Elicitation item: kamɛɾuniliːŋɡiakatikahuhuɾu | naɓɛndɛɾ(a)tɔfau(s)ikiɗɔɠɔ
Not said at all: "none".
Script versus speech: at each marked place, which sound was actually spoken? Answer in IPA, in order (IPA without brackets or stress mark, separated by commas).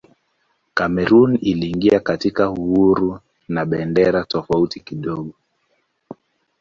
a, t